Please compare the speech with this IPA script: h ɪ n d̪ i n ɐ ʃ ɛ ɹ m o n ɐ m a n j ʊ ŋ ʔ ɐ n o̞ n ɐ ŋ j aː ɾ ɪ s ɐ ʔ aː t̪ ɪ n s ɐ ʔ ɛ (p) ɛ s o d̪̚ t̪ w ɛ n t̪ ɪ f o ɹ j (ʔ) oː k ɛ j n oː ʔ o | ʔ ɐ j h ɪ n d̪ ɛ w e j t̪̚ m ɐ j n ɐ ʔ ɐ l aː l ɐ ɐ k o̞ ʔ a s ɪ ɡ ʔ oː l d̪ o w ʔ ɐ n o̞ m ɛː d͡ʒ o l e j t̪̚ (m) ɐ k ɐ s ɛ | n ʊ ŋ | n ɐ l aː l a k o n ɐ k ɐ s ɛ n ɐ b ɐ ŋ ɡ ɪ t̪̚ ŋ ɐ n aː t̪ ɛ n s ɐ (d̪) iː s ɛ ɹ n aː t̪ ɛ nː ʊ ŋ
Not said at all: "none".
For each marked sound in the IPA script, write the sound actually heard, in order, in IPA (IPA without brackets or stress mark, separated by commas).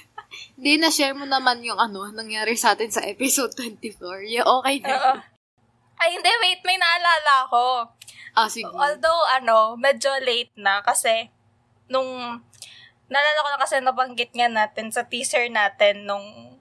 p, ʔ, n, t̪